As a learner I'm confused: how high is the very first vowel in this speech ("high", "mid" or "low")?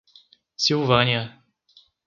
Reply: high